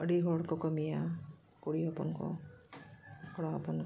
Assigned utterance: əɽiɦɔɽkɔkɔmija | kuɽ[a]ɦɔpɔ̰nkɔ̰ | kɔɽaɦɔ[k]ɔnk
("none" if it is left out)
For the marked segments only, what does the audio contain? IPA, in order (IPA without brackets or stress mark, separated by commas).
i, p